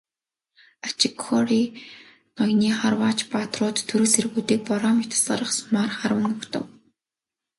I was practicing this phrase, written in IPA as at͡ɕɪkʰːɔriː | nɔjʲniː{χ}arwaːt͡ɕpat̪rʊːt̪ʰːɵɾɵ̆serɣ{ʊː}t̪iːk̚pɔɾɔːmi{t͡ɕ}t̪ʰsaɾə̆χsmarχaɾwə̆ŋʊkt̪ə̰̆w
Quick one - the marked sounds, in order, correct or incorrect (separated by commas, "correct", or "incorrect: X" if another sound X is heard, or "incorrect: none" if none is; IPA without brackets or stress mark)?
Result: correct, incorrect: uː, incorrect: none